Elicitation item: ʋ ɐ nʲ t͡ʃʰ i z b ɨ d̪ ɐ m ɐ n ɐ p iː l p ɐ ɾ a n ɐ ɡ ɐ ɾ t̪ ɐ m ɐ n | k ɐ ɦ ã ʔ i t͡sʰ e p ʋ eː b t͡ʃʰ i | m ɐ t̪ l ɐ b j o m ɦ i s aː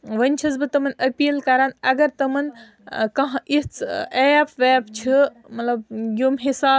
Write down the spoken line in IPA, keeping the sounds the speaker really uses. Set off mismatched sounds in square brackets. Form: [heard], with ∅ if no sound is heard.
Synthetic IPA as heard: ʋ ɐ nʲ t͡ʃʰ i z b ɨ [t̪] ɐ m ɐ n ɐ p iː l [k] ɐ ɾ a n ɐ ɡ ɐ ɾ t̪ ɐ m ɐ n | k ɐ ɦ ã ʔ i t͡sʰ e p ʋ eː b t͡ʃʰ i | m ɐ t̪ l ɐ b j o m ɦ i s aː